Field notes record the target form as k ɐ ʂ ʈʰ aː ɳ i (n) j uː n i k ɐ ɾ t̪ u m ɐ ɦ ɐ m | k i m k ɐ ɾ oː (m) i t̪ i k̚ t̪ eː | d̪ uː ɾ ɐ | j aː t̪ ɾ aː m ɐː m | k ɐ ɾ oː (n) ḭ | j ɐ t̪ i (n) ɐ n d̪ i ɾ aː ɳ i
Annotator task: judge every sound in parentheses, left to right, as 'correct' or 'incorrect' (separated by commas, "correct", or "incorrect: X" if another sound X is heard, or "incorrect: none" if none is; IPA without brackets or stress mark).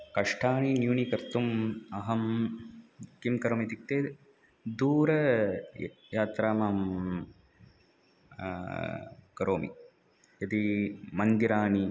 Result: correct, correct, incorrect: m, incorrect: m